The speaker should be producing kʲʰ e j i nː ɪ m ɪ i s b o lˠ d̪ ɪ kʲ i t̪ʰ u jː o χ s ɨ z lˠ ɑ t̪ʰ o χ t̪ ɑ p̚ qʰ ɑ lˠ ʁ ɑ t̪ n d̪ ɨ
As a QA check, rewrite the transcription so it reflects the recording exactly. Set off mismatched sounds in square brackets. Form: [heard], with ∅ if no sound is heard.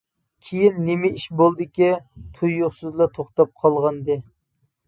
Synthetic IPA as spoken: kʲʰ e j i nː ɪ m ɪ i [ʃ] b o lˠ d̪ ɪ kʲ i t̪ʰ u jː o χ s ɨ z lˠ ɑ t̪ʰ o χ t̪ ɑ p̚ qʰ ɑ lˠ ʁ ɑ [∅] n d̪ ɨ